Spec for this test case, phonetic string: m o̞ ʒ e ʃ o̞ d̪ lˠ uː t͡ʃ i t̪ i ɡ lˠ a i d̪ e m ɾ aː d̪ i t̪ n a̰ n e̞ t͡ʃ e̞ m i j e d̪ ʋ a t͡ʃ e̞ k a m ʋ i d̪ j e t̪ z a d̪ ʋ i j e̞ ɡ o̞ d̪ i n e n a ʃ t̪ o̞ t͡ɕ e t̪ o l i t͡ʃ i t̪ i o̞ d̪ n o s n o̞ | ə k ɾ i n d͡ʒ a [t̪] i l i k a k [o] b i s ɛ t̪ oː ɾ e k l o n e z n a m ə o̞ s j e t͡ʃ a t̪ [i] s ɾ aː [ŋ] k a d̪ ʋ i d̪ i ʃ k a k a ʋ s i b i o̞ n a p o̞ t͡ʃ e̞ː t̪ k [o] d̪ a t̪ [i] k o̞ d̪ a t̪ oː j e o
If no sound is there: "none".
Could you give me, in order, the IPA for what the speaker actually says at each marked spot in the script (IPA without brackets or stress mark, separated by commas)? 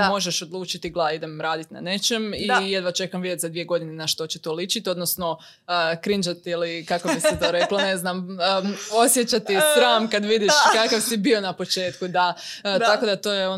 t̪, o, i, m, u, a